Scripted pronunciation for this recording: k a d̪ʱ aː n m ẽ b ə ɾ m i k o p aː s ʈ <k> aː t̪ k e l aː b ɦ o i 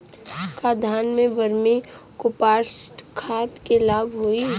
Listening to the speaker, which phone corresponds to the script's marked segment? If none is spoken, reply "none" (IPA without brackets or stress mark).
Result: kʰ